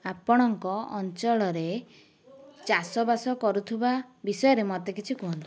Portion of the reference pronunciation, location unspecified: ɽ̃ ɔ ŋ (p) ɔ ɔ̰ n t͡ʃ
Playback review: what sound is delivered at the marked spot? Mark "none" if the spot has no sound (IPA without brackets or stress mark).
k